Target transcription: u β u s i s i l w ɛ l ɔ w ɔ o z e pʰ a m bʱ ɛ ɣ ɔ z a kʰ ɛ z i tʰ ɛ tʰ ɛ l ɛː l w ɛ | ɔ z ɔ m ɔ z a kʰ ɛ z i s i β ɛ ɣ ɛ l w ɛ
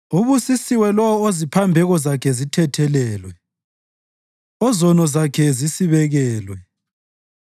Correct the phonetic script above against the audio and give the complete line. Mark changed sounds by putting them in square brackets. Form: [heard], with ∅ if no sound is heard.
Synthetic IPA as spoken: u β u s i s i [∅] w ɛ l ɔ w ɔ o z [i] pʰ a m bʱ ɛ ɣ ɔ z a kʰ ɛ z i tʰ ɛ tʰ ɛ l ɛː l w ɛ | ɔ z ɔ [n] ɔ z a kʰ ɛ z i s i β ɛ ɣ [ɛː] l w ɛ